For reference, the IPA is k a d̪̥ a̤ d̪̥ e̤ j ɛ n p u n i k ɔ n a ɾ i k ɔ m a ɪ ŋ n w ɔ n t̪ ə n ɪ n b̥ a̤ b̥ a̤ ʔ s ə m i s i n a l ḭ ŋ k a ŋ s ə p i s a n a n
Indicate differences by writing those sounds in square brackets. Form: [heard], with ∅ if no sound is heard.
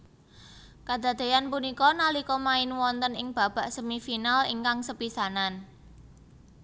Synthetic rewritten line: k a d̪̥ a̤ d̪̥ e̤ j [a] n p u n i k ɔ n a [l] i k ɔ m a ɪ [∅] n w ɔ n t̪ ə n ɪ [ŋ] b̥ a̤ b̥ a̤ ʔ s ə m i [f] i n a l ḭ ŋ k a ŋ s ə p i s a n a n